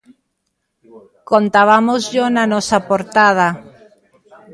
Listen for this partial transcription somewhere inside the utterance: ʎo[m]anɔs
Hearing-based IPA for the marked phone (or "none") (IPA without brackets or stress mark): n